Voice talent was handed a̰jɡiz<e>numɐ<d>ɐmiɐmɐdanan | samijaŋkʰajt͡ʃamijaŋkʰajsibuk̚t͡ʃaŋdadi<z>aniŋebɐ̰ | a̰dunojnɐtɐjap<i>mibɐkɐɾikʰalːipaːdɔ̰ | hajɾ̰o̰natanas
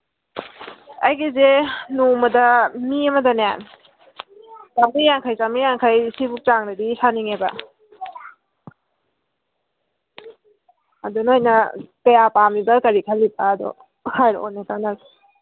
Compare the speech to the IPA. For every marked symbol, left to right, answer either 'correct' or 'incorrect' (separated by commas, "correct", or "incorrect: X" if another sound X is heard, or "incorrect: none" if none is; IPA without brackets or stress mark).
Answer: correct, correct, incorrect: s, incorrect: a